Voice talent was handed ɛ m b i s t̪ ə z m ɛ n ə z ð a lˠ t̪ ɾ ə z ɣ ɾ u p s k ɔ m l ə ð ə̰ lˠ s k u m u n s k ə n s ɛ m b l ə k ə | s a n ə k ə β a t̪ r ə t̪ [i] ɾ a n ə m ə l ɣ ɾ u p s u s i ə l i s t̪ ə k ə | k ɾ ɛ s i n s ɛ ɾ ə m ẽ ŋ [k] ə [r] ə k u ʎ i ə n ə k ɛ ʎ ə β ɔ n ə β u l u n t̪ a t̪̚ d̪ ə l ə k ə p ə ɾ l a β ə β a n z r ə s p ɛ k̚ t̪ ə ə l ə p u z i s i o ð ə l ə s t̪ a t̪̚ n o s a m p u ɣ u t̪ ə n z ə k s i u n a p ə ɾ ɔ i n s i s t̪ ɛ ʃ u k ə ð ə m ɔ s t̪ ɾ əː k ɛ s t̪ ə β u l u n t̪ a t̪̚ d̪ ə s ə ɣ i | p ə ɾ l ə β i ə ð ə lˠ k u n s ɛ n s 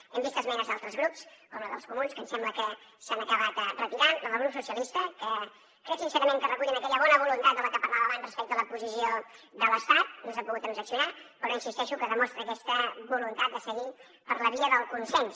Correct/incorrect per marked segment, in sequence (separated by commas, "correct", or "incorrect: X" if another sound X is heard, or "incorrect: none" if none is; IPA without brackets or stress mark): correct, correct, correct